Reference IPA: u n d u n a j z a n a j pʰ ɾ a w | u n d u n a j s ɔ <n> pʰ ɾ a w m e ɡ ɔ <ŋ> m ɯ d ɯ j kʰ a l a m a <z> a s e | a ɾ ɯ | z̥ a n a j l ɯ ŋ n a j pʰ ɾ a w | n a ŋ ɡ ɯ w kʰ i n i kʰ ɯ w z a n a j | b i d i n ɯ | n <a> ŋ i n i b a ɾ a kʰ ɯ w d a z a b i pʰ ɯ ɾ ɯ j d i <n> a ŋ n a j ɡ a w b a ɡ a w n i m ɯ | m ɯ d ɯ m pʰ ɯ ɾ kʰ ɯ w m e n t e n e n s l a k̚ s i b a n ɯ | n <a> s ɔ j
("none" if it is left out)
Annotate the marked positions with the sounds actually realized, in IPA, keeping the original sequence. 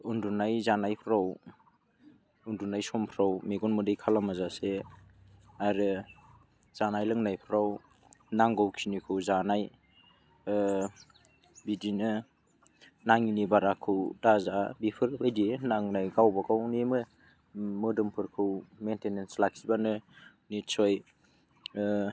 m, n, z, a, n, i

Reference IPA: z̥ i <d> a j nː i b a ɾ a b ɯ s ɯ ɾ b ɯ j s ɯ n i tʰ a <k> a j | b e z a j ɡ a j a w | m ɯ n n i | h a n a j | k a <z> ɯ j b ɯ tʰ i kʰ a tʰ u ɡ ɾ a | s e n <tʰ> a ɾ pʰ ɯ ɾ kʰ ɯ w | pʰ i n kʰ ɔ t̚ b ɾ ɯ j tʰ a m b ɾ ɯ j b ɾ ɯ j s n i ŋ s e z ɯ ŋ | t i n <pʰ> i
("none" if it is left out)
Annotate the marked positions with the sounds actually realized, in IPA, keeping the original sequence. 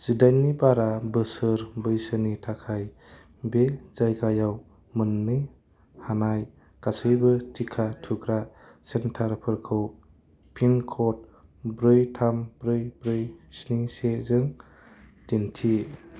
d, kʰ, s, tʰ, tʰ

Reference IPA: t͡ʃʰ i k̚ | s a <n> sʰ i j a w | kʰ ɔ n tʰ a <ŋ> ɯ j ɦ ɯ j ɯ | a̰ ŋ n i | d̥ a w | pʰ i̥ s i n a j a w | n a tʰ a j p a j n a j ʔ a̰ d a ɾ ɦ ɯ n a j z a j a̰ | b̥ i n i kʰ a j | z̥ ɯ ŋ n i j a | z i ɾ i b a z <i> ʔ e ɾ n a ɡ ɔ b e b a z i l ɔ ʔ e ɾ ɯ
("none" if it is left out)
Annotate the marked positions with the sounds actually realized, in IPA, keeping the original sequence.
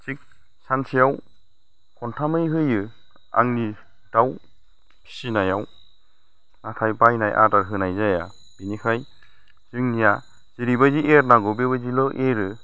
n, m, i

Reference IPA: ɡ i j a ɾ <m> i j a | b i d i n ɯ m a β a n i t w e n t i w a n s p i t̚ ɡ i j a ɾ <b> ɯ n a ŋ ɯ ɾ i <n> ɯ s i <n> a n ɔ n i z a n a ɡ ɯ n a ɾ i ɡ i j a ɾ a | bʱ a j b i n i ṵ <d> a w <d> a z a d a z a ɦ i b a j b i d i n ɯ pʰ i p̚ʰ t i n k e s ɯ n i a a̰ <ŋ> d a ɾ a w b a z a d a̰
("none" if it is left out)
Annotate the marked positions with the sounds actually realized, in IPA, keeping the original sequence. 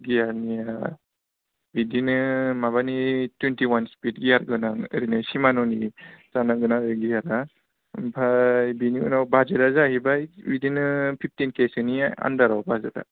n, ɡ, n, m, n, b, n

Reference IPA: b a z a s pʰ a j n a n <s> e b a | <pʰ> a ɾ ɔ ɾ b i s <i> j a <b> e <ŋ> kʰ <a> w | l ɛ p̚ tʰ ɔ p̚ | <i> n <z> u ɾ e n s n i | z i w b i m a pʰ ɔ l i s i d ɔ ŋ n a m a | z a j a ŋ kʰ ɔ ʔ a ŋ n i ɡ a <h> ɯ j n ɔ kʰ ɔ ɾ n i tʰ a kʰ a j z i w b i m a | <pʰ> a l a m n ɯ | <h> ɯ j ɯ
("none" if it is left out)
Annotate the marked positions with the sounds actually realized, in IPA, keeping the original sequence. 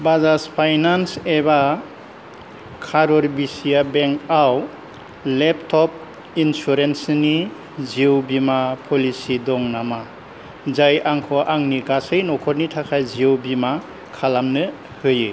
s, kʰ, i, b, ŋ, a, i, s, s, kʰ, h

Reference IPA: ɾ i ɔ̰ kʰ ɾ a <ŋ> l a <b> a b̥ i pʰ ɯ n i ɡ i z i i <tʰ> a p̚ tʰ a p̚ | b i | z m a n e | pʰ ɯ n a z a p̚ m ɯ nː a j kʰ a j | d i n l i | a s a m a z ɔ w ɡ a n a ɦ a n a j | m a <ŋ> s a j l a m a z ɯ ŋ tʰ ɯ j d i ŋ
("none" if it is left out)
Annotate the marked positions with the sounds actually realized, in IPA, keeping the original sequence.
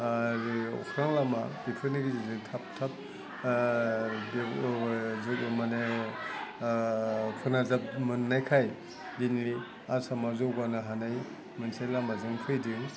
ŋ, m, tʰ, n

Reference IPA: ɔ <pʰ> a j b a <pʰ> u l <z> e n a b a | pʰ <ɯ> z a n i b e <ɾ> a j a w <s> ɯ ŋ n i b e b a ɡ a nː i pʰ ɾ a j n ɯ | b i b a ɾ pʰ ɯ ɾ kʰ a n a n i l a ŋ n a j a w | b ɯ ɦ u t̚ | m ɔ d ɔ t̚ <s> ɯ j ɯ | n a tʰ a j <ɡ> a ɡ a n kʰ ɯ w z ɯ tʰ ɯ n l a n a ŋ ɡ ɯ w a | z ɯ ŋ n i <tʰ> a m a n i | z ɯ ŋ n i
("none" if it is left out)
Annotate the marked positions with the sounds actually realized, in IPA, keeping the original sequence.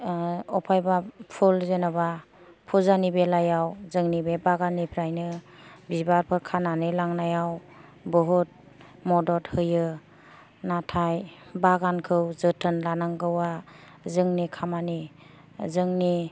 pʰ, pʰ, z, u, l, z, h, b, kʰ

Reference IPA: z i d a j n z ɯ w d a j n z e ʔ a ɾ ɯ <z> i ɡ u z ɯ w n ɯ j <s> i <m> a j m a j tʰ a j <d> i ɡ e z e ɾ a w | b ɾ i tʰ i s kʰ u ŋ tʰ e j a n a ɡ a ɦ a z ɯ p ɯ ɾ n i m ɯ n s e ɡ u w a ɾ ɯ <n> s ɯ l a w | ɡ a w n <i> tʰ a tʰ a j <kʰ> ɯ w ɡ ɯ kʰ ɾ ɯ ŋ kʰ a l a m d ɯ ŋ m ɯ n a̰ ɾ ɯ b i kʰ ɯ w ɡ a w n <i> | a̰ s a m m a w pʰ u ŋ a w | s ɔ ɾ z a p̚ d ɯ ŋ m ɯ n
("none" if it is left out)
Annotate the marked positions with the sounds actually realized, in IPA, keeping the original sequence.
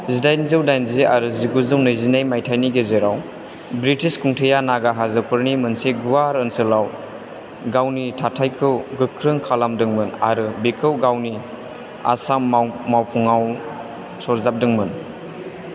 z, z, n, n, n, i, kʰ, i

